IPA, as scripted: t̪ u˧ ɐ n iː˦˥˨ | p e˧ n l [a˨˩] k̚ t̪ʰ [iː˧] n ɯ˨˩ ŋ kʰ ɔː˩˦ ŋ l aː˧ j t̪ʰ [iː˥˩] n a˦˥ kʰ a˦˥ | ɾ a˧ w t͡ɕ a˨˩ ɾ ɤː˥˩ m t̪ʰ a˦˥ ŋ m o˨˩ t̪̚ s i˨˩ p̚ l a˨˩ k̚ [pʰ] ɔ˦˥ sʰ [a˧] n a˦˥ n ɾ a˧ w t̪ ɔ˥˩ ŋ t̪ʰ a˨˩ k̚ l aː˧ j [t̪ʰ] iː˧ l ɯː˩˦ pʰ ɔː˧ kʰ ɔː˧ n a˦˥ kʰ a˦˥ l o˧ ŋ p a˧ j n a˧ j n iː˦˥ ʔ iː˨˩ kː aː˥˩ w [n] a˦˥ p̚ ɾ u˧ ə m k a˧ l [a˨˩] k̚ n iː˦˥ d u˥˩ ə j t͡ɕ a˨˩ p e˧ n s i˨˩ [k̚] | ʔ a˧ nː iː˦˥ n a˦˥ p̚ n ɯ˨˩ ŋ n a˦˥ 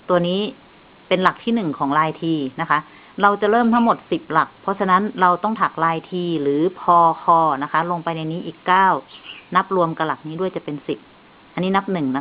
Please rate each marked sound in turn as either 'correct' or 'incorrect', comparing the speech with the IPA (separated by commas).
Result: correct, incorrect, incorrect, correct, correct, correct, correct, correct, incorrect